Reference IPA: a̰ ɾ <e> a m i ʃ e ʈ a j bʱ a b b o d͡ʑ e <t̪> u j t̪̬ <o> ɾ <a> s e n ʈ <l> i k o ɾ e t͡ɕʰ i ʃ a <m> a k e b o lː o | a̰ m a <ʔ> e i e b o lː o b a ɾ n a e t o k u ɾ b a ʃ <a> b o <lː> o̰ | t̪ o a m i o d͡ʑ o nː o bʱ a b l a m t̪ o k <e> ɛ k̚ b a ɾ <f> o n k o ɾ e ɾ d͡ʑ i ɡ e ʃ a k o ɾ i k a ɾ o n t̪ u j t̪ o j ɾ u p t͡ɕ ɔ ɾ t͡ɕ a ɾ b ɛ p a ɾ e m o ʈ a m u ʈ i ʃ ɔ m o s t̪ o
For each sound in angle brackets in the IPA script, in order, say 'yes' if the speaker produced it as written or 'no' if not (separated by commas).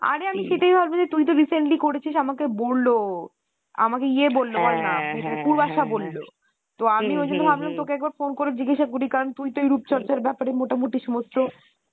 yes, yes, yes, no, yes, yes, no, yes, yes, yes, yes